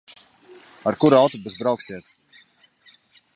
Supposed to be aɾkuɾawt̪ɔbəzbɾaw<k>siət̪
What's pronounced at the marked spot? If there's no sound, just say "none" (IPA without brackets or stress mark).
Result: k